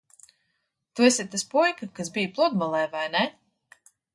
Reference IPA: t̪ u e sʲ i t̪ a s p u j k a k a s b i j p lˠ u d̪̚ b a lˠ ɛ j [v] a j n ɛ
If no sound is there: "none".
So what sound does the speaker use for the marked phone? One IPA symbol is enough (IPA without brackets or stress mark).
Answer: v